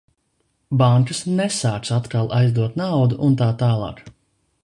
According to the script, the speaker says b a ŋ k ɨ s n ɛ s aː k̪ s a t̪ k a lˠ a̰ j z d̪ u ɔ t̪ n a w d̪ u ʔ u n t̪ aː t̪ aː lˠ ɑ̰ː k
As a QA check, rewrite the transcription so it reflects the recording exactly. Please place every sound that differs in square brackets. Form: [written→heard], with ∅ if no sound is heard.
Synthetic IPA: b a ŋ k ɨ s n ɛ s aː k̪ s a t̪ k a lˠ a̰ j z d̪ u ɔ t̪ n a w d̪ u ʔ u n t̪ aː t̪ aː lˠ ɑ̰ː k